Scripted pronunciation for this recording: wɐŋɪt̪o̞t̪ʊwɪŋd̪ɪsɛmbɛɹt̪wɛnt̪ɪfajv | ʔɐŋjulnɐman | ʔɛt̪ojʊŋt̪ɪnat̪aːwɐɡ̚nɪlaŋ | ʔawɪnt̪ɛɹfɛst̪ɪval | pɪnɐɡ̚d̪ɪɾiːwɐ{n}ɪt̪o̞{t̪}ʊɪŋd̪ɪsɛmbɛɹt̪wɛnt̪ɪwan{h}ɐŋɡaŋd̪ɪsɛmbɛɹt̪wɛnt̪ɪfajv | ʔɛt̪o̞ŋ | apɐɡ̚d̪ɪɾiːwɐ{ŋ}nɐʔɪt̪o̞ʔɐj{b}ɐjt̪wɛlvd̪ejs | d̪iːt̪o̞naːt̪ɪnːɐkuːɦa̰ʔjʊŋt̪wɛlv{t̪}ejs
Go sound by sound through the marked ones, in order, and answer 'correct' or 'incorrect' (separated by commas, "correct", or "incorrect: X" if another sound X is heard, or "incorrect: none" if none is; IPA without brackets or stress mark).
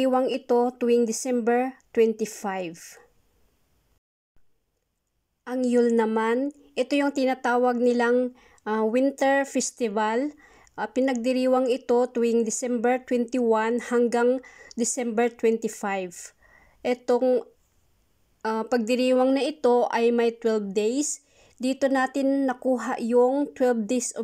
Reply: incorrect: ŋ, correct, correct, correct, incorrect: m, incorrect: d̪